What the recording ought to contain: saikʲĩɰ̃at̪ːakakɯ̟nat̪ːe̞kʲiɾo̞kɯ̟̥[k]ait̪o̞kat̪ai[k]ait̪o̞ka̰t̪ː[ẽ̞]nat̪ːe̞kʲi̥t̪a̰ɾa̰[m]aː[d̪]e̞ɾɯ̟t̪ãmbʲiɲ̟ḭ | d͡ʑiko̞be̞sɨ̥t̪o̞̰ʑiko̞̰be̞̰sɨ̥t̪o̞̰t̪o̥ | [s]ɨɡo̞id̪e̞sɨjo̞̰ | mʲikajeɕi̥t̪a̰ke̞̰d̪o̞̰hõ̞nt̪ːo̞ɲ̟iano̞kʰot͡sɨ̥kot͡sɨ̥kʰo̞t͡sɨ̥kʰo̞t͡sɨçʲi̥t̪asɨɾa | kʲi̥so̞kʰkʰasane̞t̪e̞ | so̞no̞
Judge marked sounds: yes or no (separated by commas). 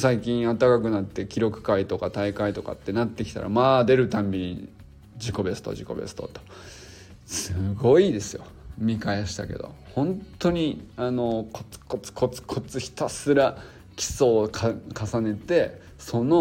yes, yes, no, yes, yes, yes